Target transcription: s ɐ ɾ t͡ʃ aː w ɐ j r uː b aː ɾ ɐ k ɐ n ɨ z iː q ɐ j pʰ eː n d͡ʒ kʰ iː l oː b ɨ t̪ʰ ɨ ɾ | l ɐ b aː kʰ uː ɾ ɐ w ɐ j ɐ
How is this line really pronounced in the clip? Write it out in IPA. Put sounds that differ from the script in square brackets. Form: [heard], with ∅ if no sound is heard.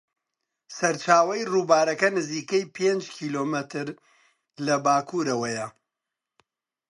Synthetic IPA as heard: s ɐ ɾ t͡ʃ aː w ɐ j r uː b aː ɾ ɐ k ɐ n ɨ z iː [k] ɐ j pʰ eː n d͡ʒ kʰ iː l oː [m] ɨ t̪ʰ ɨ ɾ | l ɐ b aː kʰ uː ɾ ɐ w ɐ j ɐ